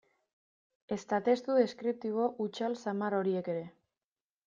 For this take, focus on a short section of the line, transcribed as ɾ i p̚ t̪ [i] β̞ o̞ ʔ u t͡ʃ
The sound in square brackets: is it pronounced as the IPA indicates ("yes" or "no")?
yes